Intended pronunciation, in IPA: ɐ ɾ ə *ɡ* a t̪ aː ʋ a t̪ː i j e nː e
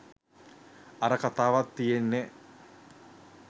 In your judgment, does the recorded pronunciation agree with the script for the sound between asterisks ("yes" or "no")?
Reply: no